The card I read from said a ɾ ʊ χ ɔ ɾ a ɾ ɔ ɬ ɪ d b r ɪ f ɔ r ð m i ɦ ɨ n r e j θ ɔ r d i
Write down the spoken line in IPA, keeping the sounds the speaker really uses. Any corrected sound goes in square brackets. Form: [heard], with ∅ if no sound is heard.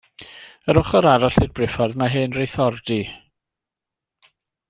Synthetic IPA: [ə] ɾ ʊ χ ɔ ɾ a ɾ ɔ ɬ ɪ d b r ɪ f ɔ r ð m [a] ɦ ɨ n r e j θ ɔ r d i